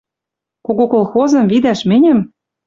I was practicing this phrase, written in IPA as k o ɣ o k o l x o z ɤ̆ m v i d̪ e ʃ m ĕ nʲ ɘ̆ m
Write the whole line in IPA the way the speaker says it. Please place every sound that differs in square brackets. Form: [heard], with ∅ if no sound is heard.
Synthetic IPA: k o ɣ o k o l x o z ɤ̆ m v i d̪ [æ] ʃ m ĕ nʲ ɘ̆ m